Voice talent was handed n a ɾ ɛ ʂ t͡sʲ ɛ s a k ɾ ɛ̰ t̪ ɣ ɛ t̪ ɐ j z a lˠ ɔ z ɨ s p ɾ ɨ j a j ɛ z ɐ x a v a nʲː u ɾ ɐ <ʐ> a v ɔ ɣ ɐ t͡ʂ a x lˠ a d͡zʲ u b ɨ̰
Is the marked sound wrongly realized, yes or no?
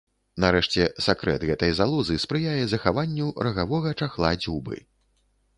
yes